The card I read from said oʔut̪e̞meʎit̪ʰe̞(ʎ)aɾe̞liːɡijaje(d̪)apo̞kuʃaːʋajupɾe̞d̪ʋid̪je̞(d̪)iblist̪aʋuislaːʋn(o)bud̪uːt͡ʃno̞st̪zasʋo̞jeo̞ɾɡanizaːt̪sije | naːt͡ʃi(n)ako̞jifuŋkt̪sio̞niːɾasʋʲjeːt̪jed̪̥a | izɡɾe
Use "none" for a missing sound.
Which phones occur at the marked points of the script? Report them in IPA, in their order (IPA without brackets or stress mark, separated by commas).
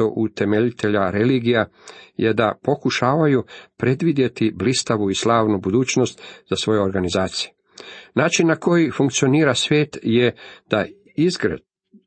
ʎ, d̪, t̪, u, nː